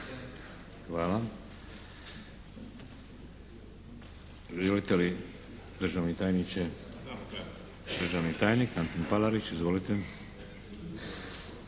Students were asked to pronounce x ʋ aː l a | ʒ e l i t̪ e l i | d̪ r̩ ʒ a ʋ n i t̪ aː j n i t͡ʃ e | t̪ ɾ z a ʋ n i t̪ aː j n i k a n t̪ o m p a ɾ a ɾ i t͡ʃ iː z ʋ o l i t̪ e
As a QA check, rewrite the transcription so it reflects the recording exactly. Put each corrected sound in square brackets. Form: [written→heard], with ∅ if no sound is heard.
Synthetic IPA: x ʋ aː l a | ʒ e l i t̪ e l i | d̪ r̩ ʒ a ʋ n i t̪ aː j n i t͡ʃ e | [t̪→d̪] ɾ [z→ʒ] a ʋ n i t̪ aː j n i k a n t̪ o [m→n] p a [ɾ→l] a ɾ i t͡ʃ [iː→i] z ʋ o l i t̪ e